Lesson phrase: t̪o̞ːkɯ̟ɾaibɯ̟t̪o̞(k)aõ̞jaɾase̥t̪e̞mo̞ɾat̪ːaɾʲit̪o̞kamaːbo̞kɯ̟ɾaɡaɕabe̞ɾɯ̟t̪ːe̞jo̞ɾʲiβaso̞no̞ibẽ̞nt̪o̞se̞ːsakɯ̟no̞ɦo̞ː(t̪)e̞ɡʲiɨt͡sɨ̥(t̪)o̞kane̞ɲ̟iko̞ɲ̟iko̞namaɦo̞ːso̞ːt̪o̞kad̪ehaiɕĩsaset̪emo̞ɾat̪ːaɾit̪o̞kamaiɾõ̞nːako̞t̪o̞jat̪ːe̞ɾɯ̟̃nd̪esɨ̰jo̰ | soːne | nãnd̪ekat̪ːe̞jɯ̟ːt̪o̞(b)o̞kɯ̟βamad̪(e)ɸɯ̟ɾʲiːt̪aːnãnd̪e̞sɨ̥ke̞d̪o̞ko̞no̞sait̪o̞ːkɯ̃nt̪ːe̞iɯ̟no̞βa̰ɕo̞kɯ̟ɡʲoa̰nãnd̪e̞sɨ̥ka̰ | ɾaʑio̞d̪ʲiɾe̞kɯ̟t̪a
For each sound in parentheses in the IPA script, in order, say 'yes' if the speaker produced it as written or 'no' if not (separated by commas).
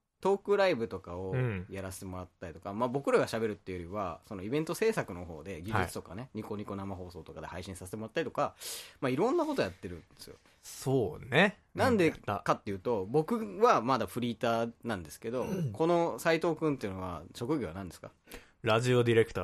yes, no, yes, yes, no